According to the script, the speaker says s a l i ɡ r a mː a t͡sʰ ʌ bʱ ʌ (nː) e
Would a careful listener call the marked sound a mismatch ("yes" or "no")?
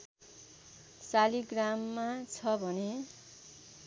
yes